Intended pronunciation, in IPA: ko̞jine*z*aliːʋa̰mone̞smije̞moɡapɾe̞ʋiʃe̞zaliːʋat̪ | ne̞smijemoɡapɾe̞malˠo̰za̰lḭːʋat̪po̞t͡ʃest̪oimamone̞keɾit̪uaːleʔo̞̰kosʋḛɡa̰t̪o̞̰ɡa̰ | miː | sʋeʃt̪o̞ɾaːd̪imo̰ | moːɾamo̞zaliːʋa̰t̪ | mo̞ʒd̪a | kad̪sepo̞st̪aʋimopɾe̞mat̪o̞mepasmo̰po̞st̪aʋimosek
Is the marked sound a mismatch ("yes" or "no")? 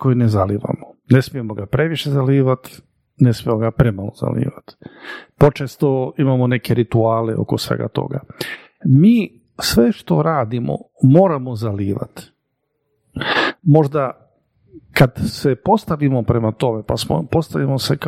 no